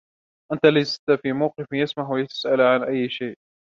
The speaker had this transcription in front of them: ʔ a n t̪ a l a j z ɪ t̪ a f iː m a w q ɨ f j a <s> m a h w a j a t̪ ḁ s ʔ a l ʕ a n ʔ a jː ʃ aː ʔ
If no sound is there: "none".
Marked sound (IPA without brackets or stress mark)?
s